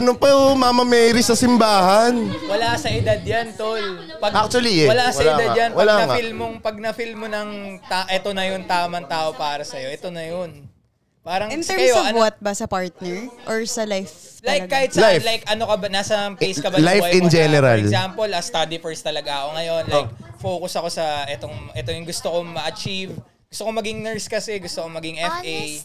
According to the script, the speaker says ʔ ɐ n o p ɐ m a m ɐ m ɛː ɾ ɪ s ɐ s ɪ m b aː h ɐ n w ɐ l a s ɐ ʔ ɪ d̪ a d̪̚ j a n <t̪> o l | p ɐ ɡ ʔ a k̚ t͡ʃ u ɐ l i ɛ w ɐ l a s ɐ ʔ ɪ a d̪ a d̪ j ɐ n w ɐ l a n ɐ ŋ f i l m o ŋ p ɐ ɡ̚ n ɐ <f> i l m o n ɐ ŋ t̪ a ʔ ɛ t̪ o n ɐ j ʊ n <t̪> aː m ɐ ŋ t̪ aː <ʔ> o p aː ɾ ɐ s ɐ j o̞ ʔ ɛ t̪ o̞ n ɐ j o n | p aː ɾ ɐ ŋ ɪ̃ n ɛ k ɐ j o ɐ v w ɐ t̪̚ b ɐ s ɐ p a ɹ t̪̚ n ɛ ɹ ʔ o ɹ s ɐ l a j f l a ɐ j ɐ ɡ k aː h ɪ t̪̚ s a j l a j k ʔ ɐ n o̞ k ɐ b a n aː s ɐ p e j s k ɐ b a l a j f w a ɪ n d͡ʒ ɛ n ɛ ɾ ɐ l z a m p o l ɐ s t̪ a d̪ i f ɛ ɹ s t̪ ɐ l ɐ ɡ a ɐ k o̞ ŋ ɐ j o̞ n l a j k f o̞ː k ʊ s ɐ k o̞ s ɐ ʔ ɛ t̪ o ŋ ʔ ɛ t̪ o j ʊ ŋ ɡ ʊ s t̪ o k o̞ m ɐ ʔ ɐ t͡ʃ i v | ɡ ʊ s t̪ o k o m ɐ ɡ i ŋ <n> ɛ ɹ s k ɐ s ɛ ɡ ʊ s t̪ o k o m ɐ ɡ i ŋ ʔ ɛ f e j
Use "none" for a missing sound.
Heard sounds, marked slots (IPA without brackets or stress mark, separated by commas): t̪, f, t̪, ʔ, n